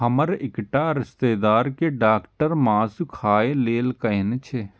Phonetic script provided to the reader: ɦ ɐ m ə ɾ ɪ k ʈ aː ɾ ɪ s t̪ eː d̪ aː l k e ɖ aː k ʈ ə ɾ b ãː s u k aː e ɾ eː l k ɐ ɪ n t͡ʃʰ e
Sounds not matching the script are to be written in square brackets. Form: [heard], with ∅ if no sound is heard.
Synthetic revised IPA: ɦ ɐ m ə ɾ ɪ k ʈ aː ɾ ɪ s t̪ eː d̪ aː [ɾ] k e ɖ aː k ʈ ə ɾ [m] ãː s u [kʰ] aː e [l] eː l k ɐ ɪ n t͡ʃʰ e